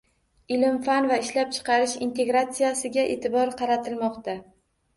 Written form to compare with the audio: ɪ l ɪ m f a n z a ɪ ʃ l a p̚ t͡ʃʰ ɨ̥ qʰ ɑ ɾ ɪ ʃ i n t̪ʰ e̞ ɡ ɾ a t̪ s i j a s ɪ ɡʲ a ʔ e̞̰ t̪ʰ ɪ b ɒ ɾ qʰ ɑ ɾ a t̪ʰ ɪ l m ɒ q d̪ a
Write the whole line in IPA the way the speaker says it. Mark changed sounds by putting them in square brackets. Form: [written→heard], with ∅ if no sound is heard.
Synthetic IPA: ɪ l ɪ m f a n [z→v] a ɪ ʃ l a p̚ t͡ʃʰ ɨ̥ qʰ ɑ ɾ ɪ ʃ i n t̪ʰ e̞ ɡ ɾ a t̪ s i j a s ɪ ɡʲ a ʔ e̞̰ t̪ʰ ɪ b ɒ ɾ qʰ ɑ ɾ a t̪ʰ ɪ l m ɒ q [d̪→t̪] a